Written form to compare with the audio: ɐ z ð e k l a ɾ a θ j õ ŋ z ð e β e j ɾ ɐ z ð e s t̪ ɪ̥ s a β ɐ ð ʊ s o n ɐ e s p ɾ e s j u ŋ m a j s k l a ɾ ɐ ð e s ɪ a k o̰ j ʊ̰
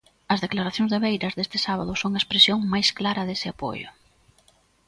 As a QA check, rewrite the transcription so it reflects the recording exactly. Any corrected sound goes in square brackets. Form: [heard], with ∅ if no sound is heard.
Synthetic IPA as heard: ɐ z ð e k l a ɾ a θ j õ ŋ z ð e β e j ɾ ɐ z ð e s t̪ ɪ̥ s a β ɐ ð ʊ s o [ŋ] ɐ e s p ɾ e s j [o] ŋ m a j s k l a ɾ ɐ ð e s ɪ a [p] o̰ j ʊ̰